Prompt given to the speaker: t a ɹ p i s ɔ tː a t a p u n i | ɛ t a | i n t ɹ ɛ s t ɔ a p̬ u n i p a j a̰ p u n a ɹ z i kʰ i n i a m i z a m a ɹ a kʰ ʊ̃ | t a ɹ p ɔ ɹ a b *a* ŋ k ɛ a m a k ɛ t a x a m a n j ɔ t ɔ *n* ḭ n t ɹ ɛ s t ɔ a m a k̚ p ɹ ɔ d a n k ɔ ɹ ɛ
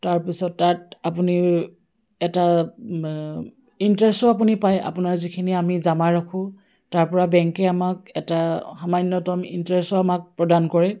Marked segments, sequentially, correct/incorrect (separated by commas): incorrect, incorrect